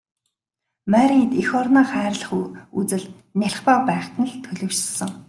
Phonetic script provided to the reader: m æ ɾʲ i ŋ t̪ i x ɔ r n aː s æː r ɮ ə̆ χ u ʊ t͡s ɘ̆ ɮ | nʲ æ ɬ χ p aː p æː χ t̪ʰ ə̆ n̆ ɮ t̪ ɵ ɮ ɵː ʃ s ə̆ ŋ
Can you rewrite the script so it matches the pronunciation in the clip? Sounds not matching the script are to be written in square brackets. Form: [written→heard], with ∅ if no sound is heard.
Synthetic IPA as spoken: m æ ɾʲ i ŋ t̪ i x ɔ r n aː [s→χ] æː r ɮ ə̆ χ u [ʊ→u] t͡s ɘ̆ ɮ | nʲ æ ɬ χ p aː p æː χ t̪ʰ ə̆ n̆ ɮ [t̪→t̪ʰ] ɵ ɮ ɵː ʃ s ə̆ ŋ